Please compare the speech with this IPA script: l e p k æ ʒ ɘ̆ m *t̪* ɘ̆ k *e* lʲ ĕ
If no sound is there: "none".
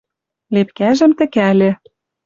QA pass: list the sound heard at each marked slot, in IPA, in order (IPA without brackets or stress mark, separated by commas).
t̪, æ